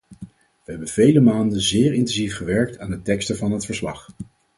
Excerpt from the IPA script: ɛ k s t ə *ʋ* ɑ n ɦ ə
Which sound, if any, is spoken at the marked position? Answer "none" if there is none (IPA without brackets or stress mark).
v